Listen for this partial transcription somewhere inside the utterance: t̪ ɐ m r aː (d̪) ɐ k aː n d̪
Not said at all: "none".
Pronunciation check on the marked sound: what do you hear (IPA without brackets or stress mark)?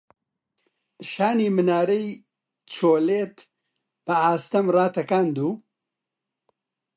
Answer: t̪